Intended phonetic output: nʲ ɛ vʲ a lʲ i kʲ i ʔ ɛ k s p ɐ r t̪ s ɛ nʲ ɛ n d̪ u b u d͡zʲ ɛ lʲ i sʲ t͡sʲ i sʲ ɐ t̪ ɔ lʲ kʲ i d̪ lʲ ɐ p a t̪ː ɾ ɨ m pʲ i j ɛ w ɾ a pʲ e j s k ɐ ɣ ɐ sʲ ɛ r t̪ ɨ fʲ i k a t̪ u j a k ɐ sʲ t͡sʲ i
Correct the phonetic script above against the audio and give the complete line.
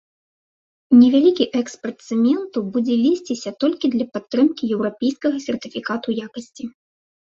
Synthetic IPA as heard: nʲ ɛ vʲ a lʲ i kʲ i ʔ ɛ k s p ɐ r t̪ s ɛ mʲ ɛ n t̪ u b u d͡zʲ ɛ lʲ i sʲ t͡sʲ i sʲ ɐ t̪ ɔ lʲ kʲ i d̪ lʲ ɐ p a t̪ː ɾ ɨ m kʲ i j ɛ w ɾ a pʲ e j s k ɐ ɣ ɐ sʲ ɛ r t̪ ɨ fʲ i k a t̪ u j a k ɐ sʲ t͡sʲ i